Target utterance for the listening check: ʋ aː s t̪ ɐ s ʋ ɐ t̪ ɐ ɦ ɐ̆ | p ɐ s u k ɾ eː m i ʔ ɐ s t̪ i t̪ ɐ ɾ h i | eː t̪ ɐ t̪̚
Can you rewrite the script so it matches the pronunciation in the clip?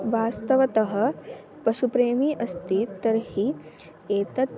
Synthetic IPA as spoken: ʋ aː s t̪ ɐ ʋ ɐ t̪ ɐ ɦ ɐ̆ | p ɐ ʃ u p ɾ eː m i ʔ ɐ s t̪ i t̪ ɐ ɾ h i | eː t̪ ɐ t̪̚